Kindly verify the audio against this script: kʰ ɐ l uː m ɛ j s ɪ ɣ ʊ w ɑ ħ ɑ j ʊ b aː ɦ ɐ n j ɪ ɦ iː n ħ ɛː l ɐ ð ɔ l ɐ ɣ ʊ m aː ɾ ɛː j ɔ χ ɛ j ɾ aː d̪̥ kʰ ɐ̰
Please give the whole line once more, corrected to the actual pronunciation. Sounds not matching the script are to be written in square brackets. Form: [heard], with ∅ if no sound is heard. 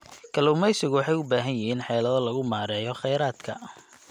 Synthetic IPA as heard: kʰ ɐ l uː m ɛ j s ɪ ɣ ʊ w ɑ ħ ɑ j ʊ b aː ɦ ɐ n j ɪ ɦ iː n ħ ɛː l ɐ ð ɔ l ɐ ɣ ʊ m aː ɾ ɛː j ɔ χ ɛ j ɾ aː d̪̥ kʰ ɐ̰